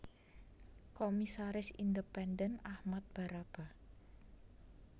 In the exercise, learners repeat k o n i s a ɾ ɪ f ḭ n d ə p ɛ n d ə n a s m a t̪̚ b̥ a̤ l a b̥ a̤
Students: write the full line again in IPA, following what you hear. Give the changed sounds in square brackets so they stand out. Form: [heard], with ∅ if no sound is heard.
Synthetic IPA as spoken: k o [m] i s a ɾ ɪ [s] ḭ n d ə p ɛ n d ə n a [h] m a t̪̚ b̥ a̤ [ɾ] a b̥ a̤